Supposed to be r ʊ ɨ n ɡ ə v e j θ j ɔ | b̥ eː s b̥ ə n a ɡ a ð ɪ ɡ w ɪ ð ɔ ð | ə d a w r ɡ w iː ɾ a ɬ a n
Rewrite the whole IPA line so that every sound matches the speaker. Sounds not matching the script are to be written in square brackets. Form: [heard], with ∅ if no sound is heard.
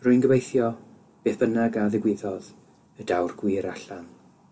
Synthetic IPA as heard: r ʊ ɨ n ɡ ə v e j θ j ɔ | b̥ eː [θ] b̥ ə n a ɡ a ð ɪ ɡ w ɪ ð ɔ ð | ə d a w r ɡ w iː ɾ a ɬ a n